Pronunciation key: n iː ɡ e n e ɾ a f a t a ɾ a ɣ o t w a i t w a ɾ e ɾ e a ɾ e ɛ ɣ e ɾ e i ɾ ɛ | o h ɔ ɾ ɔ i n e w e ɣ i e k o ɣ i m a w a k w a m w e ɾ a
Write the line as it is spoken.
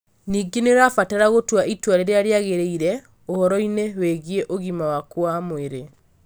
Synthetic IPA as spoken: n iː ɡ e n e ɾ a f a t a ɾ a ɣ o t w a i t w a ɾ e ɾ e a ɾ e a ɣ e ɾ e i ɾ ɛ | o h ɔ ɾ ɔ i n e w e ɣ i e ʔ o ɣ i m a w a k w a m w e ɾ e